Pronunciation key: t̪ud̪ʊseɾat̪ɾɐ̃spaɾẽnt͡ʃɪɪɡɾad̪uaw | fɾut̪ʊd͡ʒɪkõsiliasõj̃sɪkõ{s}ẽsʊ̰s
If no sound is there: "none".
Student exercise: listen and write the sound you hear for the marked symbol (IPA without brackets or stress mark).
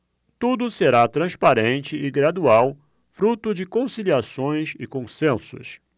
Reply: s